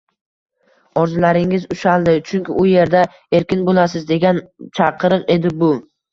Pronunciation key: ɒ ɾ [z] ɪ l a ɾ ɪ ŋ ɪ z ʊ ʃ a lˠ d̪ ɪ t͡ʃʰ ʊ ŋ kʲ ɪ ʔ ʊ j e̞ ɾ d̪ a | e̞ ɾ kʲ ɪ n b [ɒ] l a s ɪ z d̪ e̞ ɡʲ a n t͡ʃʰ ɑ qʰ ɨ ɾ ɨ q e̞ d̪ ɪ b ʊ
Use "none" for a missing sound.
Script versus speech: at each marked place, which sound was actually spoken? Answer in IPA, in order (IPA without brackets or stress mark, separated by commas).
z, o